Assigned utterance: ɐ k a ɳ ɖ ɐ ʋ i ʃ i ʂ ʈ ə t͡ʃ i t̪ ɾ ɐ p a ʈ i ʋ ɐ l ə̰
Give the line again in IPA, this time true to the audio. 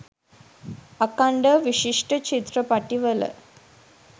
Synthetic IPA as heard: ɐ k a ɳ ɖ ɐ ʋ i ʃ i ʂ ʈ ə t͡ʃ i t̪ ɾ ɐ p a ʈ i ʋ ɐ l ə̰